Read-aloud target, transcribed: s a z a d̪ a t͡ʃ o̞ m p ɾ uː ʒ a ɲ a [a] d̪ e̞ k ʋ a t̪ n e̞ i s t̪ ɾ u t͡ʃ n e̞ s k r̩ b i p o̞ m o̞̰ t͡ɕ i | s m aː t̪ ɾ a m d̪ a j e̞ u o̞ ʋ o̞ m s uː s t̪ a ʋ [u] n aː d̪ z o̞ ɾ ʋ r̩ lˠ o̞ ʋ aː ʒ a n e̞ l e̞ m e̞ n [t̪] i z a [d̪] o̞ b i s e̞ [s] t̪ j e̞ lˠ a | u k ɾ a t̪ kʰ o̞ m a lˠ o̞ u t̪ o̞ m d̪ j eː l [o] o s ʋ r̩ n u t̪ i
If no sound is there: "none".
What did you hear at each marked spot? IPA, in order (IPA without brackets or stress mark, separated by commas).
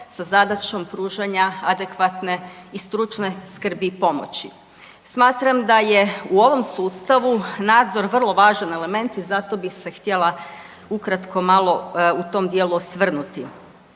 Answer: a, u, t̪, t̪, x, u